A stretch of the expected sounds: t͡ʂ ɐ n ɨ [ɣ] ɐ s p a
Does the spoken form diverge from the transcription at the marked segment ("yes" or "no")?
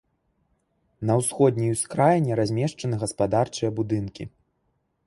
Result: no